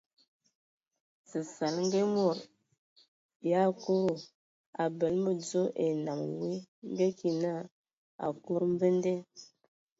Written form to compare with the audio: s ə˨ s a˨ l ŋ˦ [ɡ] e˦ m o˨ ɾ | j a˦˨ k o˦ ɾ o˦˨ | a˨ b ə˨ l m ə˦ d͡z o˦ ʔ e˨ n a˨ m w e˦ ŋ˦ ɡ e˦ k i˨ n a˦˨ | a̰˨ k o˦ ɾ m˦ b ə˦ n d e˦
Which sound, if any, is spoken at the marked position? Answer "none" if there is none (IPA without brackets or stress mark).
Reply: ɡ